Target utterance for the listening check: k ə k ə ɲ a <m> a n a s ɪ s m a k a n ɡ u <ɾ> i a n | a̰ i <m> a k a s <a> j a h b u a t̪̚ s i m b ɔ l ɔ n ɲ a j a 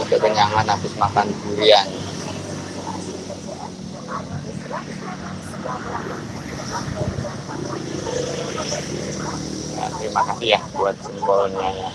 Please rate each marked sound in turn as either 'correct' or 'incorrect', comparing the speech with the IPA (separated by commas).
incorrect, correct, correct, incorrect